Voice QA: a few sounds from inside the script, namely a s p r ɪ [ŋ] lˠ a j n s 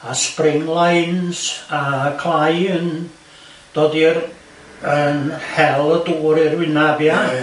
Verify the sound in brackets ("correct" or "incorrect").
correct